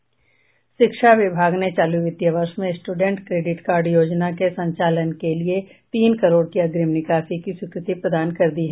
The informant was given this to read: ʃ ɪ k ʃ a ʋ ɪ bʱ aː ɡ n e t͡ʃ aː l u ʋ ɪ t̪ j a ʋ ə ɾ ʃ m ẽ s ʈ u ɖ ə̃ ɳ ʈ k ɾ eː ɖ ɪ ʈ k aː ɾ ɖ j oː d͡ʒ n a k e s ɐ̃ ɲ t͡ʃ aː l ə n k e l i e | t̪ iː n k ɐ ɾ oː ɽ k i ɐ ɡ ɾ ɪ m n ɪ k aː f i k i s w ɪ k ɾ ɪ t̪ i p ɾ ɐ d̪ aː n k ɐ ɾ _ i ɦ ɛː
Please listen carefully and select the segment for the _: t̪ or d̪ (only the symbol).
d̪